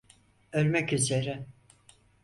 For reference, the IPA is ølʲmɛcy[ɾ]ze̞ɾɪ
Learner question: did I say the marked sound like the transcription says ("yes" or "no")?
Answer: no